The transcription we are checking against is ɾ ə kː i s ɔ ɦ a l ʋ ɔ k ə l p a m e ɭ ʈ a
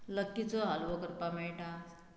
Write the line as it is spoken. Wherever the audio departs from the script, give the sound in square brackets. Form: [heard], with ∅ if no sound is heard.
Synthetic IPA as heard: [l] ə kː i [t͡s] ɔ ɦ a l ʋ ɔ k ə [ɾ] p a m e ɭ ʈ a